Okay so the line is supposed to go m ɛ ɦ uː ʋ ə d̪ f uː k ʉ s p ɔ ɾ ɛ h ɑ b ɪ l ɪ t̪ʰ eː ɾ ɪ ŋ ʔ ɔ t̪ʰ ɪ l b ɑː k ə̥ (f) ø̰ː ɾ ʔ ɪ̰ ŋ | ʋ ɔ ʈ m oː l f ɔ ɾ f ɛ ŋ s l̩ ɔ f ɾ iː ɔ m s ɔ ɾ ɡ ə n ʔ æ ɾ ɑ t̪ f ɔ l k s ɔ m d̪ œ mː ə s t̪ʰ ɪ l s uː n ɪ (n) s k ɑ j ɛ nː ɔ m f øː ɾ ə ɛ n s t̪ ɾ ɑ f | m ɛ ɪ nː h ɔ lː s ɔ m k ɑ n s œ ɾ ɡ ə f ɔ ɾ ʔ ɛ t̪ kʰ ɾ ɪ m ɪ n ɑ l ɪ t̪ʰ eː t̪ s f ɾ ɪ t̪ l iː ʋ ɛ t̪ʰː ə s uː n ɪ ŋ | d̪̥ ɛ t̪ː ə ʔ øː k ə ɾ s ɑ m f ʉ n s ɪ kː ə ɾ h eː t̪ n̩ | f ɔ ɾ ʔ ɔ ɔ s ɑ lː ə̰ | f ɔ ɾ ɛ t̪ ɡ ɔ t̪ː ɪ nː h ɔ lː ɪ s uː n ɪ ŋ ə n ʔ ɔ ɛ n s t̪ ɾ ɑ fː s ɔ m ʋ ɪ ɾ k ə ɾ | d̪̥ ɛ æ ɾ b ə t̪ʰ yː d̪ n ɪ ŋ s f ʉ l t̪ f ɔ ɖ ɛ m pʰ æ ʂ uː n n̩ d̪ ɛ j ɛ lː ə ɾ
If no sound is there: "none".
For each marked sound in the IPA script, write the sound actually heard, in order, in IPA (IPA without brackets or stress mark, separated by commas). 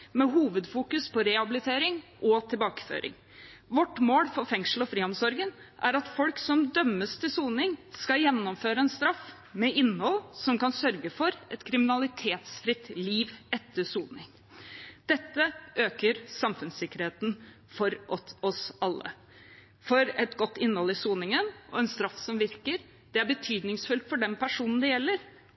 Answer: f, ŋ